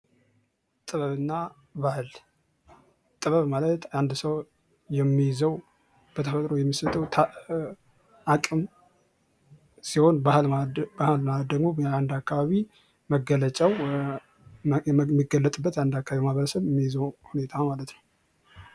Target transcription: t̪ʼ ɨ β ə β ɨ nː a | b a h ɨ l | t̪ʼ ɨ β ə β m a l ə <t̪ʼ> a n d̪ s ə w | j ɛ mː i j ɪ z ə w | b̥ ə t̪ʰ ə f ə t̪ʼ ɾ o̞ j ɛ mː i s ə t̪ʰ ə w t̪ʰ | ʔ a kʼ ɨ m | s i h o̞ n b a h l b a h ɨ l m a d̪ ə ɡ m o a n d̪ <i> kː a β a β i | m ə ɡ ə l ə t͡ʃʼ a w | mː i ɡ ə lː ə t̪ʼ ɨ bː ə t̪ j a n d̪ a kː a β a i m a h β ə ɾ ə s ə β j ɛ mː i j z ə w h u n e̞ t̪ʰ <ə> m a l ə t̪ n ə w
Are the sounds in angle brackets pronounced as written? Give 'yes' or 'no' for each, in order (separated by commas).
no, no, no